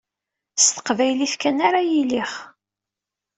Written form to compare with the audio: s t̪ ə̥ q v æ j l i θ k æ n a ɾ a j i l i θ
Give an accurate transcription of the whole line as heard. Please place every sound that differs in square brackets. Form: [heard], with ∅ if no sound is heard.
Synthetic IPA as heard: s t̪ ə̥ q v æ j l i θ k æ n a ɾ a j i l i [χ]